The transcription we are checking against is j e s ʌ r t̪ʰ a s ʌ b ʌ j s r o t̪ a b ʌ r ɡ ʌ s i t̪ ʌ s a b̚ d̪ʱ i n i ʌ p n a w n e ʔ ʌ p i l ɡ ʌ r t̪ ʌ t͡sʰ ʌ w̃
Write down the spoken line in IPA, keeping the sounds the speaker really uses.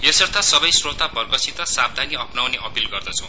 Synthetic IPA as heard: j e s ʌ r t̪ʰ a s ʌ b ʌ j s r o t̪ a b ʌ r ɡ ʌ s i t̪ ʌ s a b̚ d̪ʱ a n i ʌ p n a w n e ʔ ʌ p i l ɡ ʌ r d̪ ʌ t͡sʰ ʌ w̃